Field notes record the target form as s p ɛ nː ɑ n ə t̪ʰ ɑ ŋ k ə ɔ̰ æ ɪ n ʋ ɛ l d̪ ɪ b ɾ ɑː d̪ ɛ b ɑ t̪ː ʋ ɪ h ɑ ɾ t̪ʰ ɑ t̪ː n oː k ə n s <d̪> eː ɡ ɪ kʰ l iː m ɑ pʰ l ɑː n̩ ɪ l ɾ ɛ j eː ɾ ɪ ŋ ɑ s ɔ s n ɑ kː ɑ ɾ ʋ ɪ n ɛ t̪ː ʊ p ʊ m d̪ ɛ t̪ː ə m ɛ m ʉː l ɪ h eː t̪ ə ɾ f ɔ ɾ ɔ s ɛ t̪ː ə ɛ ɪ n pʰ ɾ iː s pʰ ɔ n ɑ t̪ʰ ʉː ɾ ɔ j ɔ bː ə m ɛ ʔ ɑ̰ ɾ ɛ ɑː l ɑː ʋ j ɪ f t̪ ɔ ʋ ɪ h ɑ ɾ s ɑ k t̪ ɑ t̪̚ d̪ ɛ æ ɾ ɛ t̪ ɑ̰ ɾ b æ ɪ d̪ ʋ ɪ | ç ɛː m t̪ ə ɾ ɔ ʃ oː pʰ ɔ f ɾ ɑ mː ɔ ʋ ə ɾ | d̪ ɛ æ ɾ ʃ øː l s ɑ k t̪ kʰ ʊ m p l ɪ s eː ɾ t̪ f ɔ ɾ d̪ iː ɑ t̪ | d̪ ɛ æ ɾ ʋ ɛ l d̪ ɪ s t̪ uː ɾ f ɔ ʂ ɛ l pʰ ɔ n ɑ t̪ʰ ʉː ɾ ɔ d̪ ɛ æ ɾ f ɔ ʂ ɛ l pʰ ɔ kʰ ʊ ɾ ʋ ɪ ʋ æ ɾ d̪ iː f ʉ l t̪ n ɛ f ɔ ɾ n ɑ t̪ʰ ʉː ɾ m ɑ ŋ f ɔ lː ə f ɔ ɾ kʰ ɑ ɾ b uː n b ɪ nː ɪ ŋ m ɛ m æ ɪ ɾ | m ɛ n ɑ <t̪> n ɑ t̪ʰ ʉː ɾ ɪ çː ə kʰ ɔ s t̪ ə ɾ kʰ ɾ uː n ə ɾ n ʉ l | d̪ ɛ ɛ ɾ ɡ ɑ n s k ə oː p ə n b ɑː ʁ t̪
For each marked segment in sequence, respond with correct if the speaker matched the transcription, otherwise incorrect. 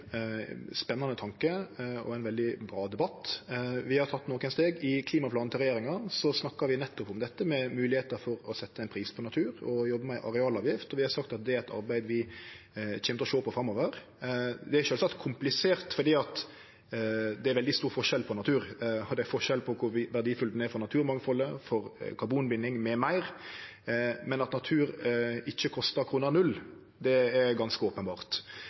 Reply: incorrect, correct

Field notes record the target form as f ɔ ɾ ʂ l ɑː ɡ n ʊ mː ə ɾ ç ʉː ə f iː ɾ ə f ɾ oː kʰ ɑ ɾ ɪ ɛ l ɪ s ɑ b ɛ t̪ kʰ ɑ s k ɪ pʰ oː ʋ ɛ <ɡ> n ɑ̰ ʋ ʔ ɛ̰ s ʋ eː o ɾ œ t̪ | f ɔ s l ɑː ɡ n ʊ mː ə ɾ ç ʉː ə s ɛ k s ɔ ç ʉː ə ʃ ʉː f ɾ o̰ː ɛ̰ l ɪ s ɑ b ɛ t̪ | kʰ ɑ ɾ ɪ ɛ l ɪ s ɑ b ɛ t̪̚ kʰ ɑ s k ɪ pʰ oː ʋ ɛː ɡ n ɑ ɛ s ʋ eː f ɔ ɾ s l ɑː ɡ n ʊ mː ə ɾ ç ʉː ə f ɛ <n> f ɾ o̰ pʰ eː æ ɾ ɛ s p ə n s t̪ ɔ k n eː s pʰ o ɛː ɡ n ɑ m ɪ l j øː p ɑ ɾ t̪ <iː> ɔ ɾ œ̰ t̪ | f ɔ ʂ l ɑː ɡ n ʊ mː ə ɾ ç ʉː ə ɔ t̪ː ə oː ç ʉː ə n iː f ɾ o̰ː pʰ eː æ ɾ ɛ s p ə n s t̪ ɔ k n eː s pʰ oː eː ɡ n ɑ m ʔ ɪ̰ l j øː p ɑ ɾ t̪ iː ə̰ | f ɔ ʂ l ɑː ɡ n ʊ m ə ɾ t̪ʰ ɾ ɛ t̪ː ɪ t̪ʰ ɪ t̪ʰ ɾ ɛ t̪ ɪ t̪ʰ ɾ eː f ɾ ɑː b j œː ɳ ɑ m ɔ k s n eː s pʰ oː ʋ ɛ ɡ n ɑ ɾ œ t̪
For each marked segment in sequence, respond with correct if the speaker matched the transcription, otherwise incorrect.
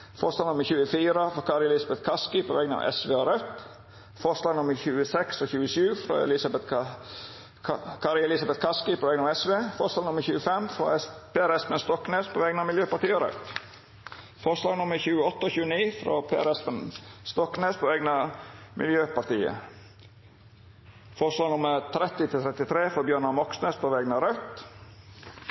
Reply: correct, incorrect, correct

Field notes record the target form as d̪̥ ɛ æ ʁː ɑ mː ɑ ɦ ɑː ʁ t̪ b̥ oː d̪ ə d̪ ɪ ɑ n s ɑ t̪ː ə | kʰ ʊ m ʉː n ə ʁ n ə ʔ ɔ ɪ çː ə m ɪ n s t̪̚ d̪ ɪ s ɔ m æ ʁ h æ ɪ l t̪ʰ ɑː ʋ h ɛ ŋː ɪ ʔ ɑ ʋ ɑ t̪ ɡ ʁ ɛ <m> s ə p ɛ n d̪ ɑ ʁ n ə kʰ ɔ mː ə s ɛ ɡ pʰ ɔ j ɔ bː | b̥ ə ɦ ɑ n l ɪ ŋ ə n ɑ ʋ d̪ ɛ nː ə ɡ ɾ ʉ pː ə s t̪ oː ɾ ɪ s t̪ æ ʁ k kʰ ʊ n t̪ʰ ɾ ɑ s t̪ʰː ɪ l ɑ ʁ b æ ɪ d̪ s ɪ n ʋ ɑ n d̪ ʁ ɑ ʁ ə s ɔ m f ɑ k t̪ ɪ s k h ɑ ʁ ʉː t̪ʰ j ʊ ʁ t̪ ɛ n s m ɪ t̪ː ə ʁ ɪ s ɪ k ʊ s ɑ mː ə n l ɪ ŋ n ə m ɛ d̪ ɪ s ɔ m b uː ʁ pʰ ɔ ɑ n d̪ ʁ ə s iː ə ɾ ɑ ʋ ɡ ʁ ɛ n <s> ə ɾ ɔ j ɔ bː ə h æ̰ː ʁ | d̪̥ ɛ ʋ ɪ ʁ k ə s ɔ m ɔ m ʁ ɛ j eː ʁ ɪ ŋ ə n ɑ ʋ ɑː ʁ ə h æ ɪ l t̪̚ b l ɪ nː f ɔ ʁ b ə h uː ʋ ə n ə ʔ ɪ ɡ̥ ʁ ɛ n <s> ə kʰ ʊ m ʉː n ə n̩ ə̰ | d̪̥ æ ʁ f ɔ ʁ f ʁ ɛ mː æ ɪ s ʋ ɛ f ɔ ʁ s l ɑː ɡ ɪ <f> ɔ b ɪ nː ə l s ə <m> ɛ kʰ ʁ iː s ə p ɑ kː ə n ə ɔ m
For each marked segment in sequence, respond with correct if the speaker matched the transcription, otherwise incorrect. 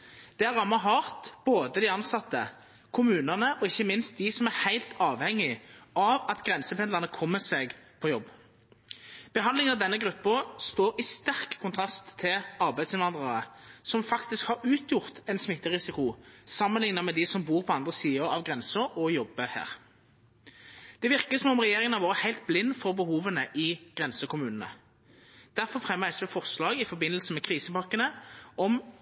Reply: incorrect, correct, correct, correct, correct

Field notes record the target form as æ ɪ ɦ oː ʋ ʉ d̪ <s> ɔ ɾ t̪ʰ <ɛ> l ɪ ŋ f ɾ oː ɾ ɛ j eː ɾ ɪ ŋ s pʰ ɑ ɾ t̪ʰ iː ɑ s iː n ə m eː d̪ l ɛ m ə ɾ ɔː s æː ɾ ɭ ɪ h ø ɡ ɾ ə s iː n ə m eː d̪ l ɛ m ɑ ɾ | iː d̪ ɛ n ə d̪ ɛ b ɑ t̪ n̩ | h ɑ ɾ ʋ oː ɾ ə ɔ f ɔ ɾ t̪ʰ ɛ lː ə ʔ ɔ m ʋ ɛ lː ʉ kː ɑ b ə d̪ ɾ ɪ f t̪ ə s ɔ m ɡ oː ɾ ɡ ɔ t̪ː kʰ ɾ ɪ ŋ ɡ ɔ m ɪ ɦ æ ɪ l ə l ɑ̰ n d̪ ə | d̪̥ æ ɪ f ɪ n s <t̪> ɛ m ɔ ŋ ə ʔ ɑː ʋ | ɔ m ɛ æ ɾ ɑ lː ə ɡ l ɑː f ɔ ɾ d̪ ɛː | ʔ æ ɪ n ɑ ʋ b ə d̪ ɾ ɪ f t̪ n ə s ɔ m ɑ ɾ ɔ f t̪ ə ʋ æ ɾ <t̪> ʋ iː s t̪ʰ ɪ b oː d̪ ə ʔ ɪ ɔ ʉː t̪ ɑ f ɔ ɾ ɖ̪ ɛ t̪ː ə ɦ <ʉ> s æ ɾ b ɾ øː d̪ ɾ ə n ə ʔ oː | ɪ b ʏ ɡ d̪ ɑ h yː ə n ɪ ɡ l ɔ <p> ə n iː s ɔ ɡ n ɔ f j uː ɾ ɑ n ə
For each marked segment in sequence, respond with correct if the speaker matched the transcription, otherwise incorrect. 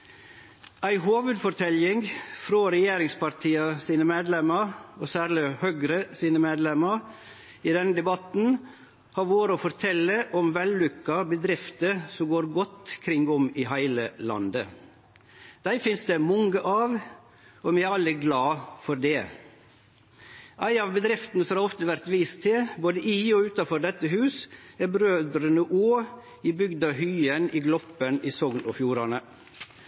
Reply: incorrect, correct, incorrect, correct, incorrect, correct

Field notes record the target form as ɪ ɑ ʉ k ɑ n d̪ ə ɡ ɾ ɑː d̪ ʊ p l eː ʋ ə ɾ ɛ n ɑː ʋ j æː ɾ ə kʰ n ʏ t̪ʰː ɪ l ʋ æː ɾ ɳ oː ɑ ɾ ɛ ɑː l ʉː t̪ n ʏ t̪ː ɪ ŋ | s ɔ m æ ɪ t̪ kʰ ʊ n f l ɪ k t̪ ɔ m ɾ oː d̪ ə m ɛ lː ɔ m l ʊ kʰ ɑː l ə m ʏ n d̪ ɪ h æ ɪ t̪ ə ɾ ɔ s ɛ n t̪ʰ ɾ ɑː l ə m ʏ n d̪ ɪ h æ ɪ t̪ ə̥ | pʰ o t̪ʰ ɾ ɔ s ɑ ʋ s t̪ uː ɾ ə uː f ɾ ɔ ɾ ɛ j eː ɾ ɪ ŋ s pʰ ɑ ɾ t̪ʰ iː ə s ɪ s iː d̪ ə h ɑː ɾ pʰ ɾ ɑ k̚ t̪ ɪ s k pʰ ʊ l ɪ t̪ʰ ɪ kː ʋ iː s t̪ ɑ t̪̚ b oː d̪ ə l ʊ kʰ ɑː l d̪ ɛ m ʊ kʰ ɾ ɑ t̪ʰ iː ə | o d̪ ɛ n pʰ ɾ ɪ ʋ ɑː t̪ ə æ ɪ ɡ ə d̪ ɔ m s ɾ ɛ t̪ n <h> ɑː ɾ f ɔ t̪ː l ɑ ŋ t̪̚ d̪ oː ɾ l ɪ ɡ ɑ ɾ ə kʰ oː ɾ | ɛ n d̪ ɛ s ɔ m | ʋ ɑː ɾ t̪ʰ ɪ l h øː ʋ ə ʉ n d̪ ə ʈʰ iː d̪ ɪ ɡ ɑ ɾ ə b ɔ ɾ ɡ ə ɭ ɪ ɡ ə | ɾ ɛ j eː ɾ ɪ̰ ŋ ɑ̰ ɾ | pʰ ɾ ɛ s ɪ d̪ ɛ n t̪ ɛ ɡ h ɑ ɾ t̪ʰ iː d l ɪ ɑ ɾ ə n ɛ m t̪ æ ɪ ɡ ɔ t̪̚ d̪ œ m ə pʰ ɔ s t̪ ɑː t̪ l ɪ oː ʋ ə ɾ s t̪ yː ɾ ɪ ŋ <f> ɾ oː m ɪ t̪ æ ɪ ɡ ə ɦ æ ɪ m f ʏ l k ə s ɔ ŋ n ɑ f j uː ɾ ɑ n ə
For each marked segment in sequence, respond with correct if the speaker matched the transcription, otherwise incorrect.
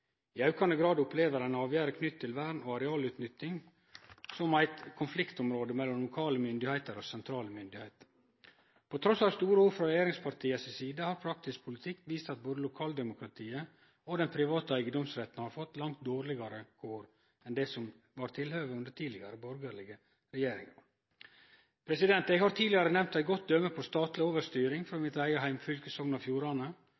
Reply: correct, correct

